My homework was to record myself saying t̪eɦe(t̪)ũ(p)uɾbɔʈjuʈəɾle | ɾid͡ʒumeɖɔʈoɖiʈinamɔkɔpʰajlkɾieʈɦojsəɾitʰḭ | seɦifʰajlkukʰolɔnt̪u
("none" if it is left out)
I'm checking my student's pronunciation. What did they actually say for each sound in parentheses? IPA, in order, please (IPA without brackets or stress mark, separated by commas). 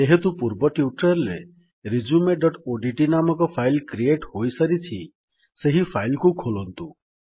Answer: t̪, p